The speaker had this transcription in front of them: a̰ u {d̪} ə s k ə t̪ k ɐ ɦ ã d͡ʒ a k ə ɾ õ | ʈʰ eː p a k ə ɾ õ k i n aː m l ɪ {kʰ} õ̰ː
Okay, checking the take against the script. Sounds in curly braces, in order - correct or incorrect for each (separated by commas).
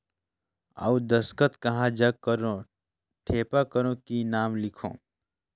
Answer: correct, correct